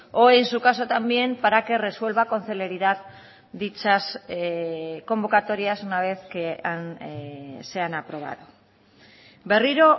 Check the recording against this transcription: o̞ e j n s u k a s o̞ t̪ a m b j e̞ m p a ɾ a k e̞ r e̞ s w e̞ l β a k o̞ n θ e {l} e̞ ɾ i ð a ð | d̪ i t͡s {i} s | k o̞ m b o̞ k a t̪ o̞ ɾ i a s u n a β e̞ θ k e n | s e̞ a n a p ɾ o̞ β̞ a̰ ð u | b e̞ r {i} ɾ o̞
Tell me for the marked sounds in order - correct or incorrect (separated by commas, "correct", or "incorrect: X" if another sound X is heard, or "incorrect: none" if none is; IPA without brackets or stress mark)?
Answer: correct, incorrect: a, correct